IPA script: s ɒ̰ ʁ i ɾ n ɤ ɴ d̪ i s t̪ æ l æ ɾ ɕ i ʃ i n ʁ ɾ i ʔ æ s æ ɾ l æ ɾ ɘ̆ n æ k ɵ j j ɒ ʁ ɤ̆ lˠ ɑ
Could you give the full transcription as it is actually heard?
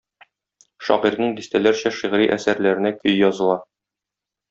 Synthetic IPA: ʃ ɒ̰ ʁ i ɾ n ɤ ɴ d̪ i s t̪ æ l æ ɾ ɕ æ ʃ i ʁ ɾ i ʔ æ s æ ɾ l æ ɾ ɘ̆ n æ k ɵ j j ɒ z ɤ̆ lˠ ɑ